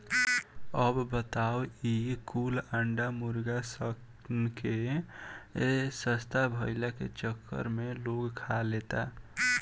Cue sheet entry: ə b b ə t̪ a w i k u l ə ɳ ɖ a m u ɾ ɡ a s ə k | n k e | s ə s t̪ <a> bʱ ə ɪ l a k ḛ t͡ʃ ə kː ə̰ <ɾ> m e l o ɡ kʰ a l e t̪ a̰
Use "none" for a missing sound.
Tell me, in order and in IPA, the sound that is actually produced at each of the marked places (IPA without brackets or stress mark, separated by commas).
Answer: a, ɾ